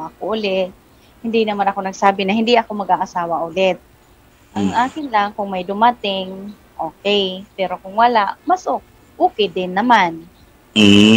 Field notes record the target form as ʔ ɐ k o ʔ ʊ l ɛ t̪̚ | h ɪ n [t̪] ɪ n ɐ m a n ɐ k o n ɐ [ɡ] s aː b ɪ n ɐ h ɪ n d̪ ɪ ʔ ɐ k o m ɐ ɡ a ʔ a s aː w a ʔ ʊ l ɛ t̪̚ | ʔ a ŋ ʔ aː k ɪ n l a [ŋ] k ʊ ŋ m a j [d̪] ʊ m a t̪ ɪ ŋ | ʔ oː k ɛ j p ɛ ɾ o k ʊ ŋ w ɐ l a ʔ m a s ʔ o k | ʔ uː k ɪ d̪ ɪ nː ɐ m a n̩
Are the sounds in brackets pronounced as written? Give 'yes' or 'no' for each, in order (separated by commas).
no, yes, yes, yes